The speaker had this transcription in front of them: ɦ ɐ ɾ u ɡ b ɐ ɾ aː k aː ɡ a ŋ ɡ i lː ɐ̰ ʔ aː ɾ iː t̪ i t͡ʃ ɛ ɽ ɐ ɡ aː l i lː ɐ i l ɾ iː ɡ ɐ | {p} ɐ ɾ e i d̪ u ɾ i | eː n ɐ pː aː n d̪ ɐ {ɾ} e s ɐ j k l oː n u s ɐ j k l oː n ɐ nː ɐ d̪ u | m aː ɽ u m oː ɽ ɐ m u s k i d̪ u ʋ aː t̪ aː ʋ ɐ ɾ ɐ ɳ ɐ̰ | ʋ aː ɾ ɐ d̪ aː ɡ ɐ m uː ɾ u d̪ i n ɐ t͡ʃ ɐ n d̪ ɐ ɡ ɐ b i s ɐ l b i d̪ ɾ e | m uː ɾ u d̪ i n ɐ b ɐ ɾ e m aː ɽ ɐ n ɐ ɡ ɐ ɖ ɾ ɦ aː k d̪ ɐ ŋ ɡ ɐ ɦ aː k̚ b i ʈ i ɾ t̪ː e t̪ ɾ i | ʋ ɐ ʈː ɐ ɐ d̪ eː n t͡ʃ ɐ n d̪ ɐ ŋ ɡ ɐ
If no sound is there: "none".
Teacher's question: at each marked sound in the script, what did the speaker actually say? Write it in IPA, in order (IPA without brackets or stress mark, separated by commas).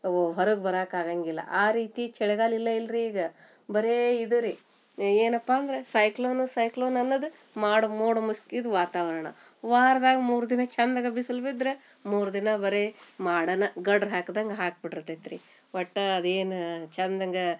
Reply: b, ɾ